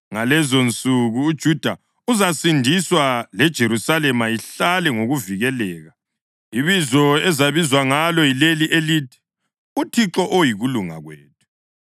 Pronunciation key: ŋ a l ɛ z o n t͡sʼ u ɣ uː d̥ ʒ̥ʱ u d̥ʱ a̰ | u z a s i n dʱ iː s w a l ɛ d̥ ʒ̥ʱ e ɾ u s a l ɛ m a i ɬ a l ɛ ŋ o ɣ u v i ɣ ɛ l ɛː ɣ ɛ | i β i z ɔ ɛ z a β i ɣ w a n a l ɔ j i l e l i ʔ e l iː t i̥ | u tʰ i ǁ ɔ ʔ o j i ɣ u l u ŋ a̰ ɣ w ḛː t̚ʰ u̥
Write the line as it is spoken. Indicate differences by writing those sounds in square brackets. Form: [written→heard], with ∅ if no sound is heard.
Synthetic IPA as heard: ŋ a l ɛ z o n t͡sʼ u ɣ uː d̥ ʒ̥ʱ u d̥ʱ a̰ | u z a s i n dʱ [iː→i] s w a l ɛ d̥ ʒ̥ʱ e ɾ u s a l ɛ m a i ɬ a l ɛ ŋ o ɣ u v i ɣ ɛ l ɛː ɣ [ɛ→a] | i β i z ɔ ɛ z a β i [ɣ→z] w a [n→ŋ] a l ɔ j i l e l i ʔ e l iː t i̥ | u tʰ i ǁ ɔ ʔ o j i ɣ u l u ŋ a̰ ɣ w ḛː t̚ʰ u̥